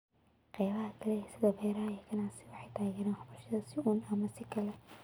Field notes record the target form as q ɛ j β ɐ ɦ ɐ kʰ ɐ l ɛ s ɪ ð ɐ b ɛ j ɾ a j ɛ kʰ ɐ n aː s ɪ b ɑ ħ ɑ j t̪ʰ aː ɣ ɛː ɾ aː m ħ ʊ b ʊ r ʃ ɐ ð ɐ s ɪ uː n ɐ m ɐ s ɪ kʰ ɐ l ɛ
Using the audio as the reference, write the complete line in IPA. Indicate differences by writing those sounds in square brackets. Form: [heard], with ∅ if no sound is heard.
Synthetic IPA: q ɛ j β ɐ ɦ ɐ kʰ ɐ l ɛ s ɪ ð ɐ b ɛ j ɾ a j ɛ kʰ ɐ n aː s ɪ [w] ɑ ħ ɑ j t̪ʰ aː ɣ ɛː ɾ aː [n] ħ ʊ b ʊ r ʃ ɐ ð ɐ s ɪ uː n ɐ m ɐ s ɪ kʰ ɐ l ɛ

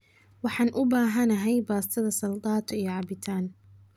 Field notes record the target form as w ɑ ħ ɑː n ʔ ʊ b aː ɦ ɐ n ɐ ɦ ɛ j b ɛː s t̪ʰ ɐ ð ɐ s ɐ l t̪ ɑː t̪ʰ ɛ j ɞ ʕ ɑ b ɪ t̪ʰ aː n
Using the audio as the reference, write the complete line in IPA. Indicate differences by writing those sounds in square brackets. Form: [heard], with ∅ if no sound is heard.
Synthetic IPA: w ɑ ħ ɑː n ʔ ʊ b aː ɦ ɐ n ɐ ɦ ɛ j b [aː] s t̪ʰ ɐ ð ɐ s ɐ l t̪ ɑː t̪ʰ [i] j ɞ ʕ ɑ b ɪ t̪ʰ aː n

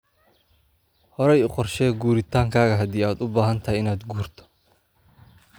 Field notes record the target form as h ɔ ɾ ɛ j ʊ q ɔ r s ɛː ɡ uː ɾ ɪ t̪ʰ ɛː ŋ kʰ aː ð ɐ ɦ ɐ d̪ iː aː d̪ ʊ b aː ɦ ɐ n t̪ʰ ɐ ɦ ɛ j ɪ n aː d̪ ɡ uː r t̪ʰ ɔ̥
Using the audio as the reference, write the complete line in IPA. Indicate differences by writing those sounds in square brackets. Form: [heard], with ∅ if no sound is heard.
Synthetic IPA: h ɔ ɾ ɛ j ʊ q ɔ r [ʃ] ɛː ɡ uː ɾ ɪ t̪ʰ [aː] ŋ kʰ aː [ɣ] ɐ ɦ ɐ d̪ iː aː d̪ ʊ b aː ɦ ɐ n t̪ʰ ɐ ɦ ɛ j ɪ n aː d̪ ɡ uː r t̪ʰ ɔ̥

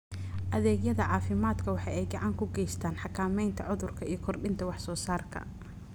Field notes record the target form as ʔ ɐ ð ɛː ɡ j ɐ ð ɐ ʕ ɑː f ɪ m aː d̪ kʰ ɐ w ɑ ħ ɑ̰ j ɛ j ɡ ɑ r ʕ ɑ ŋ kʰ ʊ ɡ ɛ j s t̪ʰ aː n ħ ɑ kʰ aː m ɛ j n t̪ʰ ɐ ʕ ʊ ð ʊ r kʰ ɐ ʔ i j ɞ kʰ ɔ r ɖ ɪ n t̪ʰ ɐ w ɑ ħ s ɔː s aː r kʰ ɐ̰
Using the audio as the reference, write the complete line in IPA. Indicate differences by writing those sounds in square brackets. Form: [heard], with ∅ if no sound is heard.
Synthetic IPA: ʔ ɐ ð ɛː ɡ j ɐ ð ɐ ʕ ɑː f ɪ m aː d̪ kʰ ɐ w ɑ ħ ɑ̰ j ɛ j ɡ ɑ [∅] ʕ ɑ ŋ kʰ ʊ ɡ ɛ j s t̪ʰ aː n ħ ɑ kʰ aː m ɛ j n t̪ʰ ɐ ʕ ʊ ð ʊ r kʰ ɐ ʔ i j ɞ kʰ ɔ r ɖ ɪ n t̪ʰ ɐ w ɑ ħ s ɔː s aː r kʰ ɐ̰

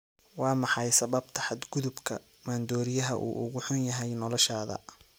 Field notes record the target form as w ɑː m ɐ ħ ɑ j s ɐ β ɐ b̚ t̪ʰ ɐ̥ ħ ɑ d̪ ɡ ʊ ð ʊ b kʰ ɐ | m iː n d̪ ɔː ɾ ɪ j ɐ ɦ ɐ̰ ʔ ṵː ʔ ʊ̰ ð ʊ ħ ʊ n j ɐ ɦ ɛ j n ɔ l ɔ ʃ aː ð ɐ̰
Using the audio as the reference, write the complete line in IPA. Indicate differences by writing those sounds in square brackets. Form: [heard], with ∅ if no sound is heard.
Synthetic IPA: w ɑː m [ɑ] ħ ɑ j s ɐ β ɐ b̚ t̪ʰ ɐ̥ ħ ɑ d̪ ɡ ʊ ð ʊ b kʰ ɐ | m [aː] n d̪ ɔː ɾ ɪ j ɐ ɦ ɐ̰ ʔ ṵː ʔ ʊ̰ [ɣ] ʊ ħ ʊ n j ɐ ɦ ɛ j n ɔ l ɔ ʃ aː ð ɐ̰

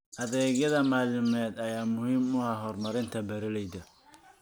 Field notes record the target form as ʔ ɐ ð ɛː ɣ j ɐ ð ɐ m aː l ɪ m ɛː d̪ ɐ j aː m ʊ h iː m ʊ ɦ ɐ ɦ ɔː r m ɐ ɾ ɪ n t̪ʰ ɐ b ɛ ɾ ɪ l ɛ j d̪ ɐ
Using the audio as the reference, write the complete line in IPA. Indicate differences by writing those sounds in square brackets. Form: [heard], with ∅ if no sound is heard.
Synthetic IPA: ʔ ɐ ð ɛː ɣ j ɐ ð ɐ m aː l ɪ m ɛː d̪ ɐ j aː m ʊ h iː m ʊ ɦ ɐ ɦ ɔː r m ɐ ɾ ɪ n t̪ʰ ɐ b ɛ ɾ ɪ l ɛ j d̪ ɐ

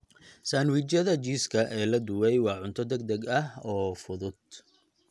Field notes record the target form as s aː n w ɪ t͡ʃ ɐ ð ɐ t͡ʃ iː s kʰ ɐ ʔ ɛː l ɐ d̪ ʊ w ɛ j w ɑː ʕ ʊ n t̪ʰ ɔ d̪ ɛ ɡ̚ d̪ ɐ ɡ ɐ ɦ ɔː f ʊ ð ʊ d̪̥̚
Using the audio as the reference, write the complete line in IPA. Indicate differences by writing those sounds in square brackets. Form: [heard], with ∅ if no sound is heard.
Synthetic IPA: s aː n w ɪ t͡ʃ ɐ ð ɐ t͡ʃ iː s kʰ ɐ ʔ ɛː l ɐ d̪ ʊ w ɛ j w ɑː ʕ ʊ n t̪ʰ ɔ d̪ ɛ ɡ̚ d̪ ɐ ɡ ɐ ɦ ɔː f ʊ ð ʊ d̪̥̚

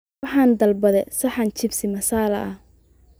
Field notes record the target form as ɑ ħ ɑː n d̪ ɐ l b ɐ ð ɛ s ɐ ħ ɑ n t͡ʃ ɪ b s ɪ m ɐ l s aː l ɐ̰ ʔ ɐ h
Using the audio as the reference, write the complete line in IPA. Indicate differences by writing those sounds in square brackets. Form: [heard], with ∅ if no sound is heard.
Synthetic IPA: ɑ ħ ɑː n d̪ ɐ l b ɐ ð ɛ s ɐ ħ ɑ n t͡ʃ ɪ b s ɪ m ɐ [∅] s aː l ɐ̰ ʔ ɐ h

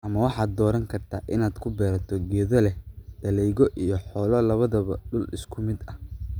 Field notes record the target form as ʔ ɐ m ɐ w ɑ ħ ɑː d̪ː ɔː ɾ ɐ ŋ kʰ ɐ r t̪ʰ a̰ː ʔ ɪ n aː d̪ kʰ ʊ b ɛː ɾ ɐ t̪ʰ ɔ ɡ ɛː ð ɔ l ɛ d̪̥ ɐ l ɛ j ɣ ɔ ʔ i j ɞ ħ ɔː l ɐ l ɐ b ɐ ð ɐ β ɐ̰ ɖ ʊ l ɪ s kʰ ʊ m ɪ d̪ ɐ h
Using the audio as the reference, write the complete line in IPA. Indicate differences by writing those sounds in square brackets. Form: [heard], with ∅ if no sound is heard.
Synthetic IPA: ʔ ɐ m ɐ w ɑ ħ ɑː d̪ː ɔː ɾ ɐ ŋ kʰ ɐ r t̪ʰ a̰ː ʔ ɪ n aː d̪ kʰ ʊ b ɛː ɾ ɐ t̪ʰ ɔ ɡ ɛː ð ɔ l ɛ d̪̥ ɐ l ɛ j ɣ ɔ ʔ i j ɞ ħ ɔː l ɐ l ɐ [β] ɐ ð ɐ β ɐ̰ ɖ ʊ l ɪ s kʰ ʊ m ɪ d̪ ɐ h

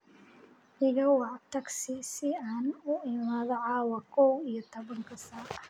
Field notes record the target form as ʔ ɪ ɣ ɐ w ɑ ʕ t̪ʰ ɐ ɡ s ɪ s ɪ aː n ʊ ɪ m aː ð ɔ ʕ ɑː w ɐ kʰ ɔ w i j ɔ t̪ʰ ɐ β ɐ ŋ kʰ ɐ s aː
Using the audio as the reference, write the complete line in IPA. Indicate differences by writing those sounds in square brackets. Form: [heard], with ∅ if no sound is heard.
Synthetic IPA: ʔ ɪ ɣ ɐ w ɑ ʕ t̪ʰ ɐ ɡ s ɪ s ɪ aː n ʊ ɪ m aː ð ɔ ʕ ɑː w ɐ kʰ ɔ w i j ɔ t̪ʰ ɐ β ɐ ŋ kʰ ɐ s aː

